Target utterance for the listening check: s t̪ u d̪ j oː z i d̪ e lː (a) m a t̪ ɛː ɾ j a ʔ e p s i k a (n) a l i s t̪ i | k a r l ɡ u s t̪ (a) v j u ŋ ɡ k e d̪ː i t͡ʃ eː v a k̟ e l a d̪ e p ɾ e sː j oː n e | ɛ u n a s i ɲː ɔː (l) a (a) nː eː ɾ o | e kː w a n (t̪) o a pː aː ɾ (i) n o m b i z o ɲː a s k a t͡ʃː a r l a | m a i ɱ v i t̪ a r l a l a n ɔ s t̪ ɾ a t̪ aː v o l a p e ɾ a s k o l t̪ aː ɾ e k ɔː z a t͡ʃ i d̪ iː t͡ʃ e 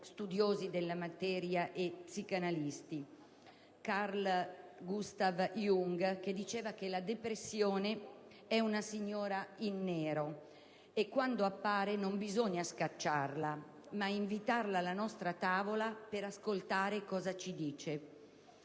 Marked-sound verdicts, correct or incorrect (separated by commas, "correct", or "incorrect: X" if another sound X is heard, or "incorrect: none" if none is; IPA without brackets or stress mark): correct, correct, correct, incorrect: ɾ, incorrect: i, incorrect: d̪, incorrect: e